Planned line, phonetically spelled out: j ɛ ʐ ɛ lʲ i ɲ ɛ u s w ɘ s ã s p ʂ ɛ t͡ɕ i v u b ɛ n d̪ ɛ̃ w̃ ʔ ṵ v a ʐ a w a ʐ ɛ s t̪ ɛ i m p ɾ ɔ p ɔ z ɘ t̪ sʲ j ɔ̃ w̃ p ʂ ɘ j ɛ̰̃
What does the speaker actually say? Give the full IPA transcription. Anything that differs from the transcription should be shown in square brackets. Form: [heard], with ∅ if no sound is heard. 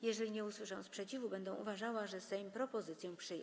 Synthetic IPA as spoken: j ɛ ʐ ɛ lʲ i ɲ ɛ u s w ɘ [ʂ] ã s p ʂ ɛ t͡ɕ i v u b ɛ n d̪ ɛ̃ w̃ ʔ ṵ v a ʐ a w a ʐ ɛ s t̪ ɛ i m p ɾ ɔ p ɔ z ɘ t̪ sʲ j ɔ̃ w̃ p ʂ ɘ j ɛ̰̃